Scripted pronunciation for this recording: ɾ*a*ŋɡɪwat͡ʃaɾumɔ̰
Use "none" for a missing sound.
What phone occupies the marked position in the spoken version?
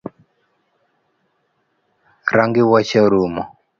a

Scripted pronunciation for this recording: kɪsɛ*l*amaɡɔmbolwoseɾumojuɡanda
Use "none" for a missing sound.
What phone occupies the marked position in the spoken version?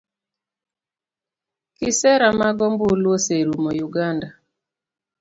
ɾ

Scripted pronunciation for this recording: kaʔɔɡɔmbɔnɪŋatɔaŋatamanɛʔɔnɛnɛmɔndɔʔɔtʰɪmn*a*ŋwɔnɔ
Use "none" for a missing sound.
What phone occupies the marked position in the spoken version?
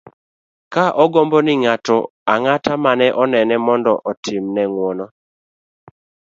ɛ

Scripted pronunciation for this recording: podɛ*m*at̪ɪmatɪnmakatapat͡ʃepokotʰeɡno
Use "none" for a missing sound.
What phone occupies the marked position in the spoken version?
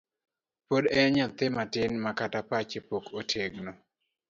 ɲ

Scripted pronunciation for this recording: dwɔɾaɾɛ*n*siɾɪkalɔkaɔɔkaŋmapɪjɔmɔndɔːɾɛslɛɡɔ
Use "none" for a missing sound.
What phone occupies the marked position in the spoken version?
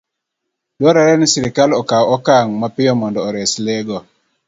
n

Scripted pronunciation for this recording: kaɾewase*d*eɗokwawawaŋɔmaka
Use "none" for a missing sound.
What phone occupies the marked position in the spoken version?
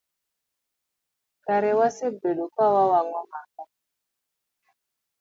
b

